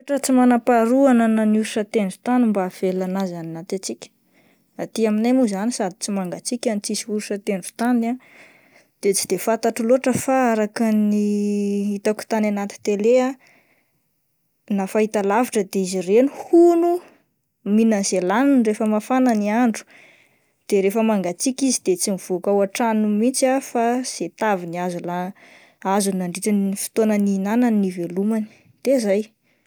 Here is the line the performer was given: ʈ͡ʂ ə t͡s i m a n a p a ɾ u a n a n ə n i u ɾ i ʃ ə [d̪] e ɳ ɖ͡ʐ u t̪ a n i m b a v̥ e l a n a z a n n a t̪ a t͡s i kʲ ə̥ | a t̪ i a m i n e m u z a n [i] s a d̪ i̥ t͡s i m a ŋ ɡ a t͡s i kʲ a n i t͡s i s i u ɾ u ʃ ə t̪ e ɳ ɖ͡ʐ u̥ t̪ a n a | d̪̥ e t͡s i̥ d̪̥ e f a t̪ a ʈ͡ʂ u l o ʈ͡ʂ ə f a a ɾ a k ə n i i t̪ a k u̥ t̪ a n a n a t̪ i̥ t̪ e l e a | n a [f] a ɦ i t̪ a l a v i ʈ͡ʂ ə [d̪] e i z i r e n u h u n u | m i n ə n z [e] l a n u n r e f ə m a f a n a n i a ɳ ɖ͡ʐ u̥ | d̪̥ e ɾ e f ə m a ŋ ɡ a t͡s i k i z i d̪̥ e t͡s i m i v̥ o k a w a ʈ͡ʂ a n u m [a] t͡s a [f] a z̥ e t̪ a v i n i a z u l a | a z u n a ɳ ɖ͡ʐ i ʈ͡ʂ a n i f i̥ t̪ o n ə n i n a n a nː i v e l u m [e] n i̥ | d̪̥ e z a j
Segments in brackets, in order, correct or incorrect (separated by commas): incorrect, correct, correct, correct, correct, incorrect, correct, incorrect